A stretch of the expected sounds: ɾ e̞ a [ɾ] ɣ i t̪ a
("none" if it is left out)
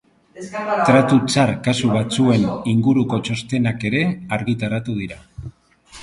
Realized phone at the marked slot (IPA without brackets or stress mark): ɾ